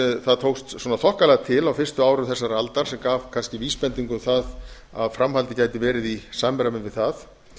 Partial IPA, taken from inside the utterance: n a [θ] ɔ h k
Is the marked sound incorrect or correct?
correct